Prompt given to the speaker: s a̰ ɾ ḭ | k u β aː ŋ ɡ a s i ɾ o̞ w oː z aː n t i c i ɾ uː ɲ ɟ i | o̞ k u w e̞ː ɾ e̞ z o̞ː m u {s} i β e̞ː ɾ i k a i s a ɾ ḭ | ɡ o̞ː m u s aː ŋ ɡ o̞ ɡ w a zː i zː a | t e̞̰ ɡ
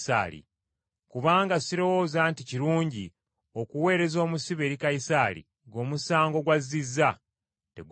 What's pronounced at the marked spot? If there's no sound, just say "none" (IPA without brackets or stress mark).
s